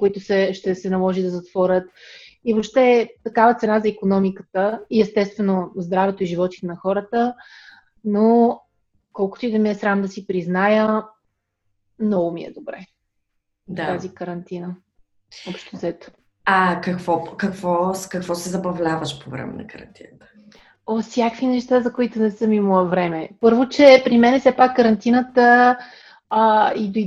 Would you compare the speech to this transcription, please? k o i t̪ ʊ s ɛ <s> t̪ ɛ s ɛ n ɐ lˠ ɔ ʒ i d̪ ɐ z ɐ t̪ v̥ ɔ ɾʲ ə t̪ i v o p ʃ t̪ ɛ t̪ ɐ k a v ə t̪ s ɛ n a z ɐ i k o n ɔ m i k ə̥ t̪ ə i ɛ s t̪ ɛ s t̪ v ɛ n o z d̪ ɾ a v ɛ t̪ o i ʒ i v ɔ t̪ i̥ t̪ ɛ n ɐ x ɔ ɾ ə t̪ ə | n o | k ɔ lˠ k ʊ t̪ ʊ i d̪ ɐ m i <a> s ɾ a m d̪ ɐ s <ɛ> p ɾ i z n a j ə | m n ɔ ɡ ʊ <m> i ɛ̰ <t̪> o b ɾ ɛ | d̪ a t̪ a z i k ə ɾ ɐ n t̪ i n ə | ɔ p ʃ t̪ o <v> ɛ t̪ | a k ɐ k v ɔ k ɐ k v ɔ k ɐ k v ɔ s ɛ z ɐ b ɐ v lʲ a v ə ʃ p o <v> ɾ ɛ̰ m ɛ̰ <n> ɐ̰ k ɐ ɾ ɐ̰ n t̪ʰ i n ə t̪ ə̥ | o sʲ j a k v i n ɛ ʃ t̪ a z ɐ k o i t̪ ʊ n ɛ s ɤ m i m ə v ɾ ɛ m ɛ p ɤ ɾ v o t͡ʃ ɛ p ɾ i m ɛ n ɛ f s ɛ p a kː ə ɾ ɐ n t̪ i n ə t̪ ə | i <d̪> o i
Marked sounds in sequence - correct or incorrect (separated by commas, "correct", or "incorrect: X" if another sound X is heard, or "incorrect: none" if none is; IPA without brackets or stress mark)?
incorrect: ʃ, incorrect: ɛ, incorrect: i, correct, incorrect: d̪, incorrect: z, correct, correct, correct